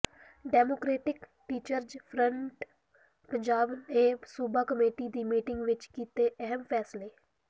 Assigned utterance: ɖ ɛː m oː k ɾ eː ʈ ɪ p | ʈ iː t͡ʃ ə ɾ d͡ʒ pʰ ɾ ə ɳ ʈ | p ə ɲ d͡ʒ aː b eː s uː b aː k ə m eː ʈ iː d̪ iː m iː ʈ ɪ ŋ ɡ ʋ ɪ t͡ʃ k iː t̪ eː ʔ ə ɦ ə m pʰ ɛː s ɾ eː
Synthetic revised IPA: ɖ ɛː m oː k ɾ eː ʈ ɪ k | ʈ iː t͡ʃ ə ɾ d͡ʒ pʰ ɾ ə ɳ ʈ | p ə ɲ d͡ʒ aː b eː s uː b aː k ə m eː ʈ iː d̪ iː m iː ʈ ɪ ŋ ɡ ʋ ɪ t͡ʃ k iː t̪ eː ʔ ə ɦ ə m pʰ ɛː s l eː